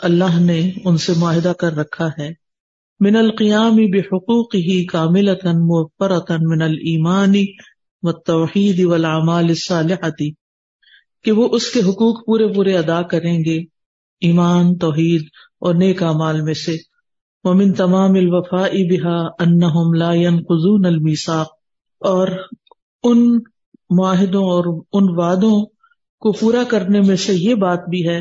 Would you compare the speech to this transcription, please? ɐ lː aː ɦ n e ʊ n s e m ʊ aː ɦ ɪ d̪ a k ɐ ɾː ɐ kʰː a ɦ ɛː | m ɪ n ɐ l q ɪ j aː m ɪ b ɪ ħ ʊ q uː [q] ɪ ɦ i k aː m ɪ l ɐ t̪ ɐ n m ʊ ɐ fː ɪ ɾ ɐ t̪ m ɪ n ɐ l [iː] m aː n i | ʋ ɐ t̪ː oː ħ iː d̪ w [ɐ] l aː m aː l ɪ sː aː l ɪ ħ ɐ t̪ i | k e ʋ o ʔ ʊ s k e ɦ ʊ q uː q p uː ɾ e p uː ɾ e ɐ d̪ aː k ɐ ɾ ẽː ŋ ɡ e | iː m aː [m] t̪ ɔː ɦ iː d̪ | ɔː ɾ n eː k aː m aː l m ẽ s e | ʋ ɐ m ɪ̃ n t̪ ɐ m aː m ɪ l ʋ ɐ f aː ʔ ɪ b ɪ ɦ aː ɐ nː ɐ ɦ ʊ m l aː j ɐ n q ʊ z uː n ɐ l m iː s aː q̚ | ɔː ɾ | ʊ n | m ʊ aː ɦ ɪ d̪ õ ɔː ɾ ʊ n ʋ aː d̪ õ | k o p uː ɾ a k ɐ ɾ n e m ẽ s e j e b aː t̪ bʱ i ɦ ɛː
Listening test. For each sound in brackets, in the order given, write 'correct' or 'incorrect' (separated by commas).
correct, correct, correct, incorrect